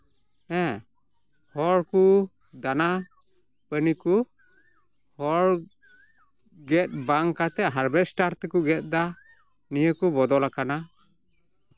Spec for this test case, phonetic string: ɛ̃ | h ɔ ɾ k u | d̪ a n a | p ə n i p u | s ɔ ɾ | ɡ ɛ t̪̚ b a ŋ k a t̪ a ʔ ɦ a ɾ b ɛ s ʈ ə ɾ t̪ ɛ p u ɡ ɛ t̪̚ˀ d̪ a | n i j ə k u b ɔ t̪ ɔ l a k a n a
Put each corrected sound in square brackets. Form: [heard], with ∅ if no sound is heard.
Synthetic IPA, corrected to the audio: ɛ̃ | h ɔ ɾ k u | d̪ a n a | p ə n i [k] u | [h] ɔ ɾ | ɡ ɛ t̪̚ b a ŋ k a t̪ [ɛ] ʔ ɦ a ɾ b ɛ s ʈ [a] ɾ t̪ ɛ [k] u ɡ ɛ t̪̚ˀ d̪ a | n i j ə k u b ɔ [d̪] ɔ l a k a n a